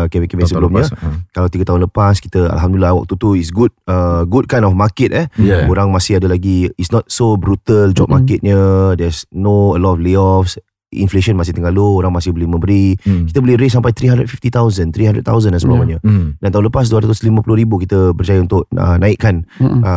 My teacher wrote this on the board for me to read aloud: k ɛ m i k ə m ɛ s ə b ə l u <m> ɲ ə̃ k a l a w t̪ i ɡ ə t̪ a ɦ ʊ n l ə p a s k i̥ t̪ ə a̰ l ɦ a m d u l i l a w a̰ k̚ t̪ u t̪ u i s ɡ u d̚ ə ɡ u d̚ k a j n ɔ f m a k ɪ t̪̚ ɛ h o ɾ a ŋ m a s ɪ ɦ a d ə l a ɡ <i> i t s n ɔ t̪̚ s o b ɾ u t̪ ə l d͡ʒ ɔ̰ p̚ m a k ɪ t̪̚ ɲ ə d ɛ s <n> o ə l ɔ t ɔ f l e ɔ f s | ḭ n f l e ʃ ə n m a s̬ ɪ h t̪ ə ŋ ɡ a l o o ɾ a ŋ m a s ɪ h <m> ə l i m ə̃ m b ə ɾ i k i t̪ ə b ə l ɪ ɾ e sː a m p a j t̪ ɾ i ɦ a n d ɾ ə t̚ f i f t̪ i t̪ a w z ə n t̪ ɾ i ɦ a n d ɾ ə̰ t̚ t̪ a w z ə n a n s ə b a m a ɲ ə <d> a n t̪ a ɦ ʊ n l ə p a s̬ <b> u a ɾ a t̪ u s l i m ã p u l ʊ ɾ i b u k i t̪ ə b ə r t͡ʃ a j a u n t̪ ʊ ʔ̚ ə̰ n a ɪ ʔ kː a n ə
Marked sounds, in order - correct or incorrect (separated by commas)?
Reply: correct, correct, correct, incorrect, correct, incorrect